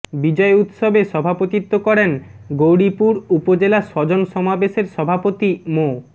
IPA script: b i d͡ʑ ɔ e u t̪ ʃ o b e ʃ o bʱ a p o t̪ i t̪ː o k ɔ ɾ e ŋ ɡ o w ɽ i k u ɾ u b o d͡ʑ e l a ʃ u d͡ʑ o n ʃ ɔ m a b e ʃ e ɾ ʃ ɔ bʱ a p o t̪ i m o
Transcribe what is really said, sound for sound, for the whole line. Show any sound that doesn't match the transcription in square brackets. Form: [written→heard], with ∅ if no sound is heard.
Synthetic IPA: b i d͡ʑ ɔ e u t̪ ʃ o b e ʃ [o→ɔ] bʱ a p o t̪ i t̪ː o k ɔ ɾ e [ŋ→n] ɡ o w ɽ i [k→p] u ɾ u [b→p] o d͡ʑ e l a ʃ [u→ɔ] d͡ʑ o n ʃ ɔ m a b e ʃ e ɾ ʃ ɔ bʱ a p o t̪ i m o